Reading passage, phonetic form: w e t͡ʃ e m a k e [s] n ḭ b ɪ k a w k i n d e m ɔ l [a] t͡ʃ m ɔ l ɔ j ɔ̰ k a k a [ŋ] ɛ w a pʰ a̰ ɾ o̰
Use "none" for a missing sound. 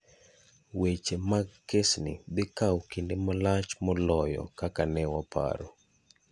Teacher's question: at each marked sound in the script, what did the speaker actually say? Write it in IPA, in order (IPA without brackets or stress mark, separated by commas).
s, a, n